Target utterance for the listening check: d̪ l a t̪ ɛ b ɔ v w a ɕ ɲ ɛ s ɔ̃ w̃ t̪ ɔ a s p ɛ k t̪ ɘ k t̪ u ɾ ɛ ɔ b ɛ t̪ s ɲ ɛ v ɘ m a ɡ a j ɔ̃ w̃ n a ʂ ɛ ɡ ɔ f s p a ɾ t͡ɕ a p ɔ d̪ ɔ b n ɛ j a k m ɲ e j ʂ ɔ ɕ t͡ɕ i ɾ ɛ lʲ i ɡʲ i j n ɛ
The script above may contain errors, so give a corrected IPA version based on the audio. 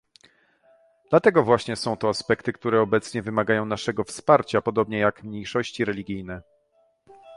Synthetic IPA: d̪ l a t̪ ɛ ɡ ɔ v w a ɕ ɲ ɛ s ɔ̃ w̃ t̪ ɔ a s p ɛ k t̪ ɘ k t̪ u ɾ ɛ ɔ b ɛ t̪ s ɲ ɛ v ɘ m a ɡ a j ɔ̃ w̃ n a ʂ ɛ ɡ ɔ f s p a ɾ t͡ɕ a p ɔ d̪ ɔ b ɲ ɛ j a k m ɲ e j ʂ ɔ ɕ t͡ɕ i ɾ ɛ lʲ i ɡʲ i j n ɛ